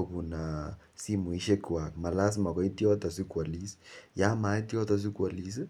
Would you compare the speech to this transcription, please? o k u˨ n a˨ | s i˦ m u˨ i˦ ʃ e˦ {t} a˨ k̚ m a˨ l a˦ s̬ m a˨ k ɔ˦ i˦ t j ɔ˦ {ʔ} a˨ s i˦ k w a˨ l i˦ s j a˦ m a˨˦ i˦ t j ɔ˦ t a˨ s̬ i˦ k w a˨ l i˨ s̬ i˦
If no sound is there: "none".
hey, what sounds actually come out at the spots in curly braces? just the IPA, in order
k, t

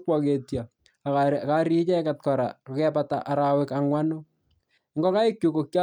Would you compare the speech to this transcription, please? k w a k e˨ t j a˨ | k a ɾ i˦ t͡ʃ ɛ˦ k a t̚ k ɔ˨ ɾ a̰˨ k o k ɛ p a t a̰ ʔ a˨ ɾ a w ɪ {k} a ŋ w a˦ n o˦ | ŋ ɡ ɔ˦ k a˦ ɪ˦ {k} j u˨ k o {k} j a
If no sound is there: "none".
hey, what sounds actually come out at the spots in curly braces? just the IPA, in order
k, k, k

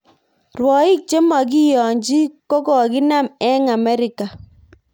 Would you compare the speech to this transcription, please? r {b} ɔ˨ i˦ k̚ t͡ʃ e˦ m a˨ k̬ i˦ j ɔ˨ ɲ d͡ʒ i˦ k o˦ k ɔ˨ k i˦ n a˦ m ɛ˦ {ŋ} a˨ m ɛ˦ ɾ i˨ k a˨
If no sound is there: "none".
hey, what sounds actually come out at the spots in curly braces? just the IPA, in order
w, ŋ

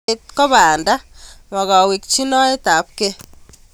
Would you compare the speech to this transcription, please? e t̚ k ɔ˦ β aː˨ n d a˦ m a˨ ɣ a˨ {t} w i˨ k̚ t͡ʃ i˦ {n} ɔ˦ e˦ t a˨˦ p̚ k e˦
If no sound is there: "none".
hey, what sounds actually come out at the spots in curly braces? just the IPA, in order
none, n

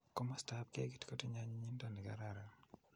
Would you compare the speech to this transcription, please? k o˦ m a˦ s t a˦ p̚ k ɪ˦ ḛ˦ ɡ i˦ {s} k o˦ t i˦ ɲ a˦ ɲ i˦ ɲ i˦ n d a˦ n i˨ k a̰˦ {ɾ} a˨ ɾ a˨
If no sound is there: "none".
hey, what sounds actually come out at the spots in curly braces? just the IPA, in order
t, ɾ

